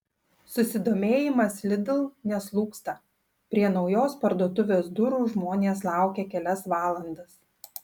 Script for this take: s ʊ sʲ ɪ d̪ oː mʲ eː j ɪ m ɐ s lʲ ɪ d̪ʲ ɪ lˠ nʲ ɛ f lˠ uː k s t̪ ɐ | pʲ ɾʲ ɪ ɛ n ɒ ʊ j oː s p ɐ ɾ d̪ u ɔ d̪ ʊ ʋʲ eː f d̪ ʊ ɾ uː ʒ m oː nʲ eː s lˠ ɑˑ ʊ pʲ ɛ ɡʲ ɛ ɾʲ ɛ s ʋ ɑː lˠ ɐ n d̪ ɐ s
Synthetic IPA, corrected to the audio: s ʊ sʲ ɪ d̪ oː mʲ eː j ɪ m ɐ s lʲ ɪ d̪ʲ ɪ lˠ nʲ ɛ s lˠ uː k s t̪ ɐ | pʲ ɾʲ i ɛ n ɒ ʊ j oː s p ɐ ɾ d̪ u ɔ t̪ ʊ ʋʲ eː s d̪ ʊ ɾ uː ʒ m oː nʲ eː s lˠ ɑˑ ʊ kʲ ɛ kʲ ɛ lʲ ɛ s ʋ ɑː lˠ ɐ n d̪ ɐ s